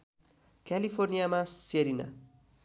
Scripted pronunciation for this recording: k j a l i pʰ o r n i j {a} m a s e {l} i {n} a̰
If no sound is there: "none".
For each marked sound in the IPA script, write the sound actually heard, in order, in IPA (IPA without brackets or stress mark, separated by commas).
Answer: a, ɾ, n